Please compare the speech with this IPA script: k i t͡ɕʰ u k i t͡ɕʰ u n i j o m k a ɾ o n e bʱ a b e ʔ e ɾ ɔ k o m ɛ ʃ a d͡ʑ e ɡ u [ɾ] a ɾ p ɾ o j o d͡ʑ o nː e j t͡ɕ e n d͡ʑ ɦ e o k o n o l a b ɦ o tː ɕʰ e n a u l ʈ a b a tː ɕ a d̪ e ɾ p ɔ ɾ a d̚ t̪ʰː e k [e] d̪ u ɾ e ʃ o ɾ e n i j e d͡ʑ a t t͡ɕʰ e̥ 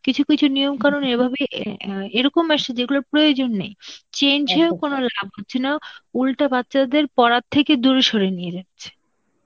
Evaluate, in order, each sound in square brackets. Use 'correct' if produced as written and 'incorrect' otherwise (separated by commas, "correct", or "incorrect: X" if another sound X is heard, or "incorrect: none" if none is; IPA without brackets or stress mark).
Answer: incorrect: l, correct